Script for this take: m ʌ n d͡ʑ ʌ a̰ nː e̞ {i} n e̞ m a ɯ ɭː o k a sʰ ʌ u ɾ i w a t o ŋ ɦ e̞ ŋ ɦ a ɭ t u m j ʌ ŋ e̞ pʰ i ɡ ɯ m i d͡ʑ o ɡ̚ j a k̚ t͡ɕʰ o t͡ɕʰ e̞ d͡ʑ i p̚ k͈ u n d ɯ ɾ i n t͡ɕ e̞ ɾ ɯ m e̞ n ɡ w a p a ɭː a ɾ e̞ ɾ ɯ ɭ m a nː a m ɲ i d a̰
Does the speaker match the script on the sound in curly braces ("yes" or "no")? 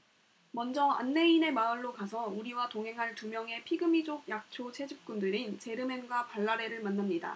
yes